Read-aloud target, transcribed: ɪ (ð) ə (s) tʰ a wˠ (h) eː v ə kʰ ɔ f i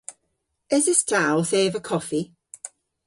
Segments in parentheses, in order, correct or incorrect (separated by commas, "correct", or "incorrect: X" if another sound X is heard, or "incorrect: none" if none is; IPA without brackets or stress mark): incorrect: z, correct, incorrect: θ